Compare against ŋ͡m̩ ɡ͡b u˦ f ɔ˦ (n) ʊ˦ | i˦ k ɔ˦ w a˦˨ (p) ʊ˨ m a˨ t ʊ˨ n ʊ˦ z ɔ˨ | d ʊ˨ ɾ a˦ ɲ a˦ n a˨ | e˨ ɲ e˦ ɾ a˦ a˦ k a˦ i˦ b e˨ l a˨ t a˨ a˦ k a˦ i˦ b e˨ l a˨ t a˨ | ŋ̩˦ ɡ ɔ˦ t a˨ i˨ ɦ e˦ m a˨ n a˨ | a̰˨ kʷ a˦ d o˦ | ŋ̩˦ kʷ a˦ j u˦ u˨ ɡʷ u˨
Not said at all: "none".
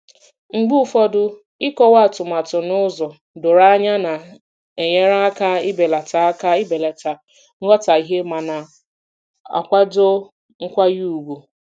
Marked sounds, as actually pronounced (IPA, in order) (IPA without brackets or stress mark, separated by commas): d, t